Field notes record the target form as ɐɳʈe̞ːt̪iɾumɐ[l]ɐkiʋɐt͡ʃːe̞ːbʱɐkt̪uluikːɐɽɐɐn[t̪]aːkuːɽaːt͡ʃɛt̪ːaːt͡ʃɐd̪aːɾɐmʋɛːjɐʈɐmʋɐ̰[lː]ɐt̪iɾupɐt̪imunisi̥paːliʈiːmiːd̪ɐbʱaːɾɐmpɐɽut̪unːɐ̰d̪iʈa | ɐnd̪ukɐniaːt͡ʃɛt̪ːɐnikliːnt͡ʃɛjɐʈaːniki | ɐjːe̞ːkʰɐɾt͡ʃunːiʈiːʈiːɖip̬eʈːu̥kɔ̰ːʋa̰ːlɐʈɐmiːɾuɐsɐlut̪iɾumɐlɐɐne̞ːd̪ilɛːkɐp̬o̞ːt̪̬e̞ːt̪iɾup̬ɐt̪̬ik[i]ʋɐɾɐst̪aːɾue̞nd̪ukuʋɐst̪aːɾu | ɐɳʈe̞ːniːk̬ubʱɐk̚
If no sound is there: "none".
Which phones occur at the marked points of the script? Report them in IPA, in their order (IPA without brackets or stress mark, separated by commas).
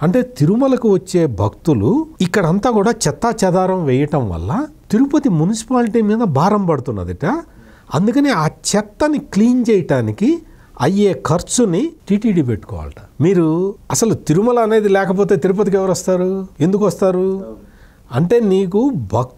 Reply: l, t̪, lː, ɛ